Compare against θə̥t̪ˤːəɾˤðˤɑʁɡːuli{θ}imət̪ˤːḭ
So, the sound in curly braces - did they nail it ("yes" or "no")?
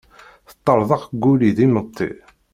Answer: no